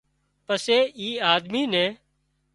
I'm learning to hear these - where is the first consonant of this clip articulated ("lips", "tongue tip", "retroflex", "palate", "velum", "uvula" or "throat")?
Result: lips